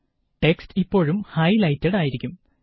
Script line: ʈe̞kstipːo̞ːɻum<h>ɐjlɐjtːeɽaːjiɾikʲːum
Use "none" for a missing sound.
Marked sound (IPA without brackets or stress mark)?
h